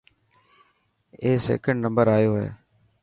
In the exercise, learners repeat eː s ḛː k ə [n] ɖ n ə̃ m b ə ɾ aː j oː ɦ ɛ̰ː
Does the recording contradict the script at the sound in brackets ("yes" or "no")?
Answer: yes